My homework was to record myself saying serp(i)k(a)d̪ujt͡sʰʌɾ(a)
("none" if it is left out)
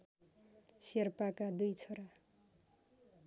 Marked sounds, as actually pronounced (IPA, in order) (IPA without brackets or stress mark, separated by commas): a, a, a